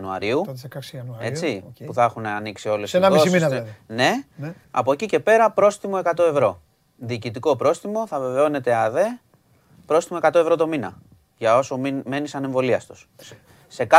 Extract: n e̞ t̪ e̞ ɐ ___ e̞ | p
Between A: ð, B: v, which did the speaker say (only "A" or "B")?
A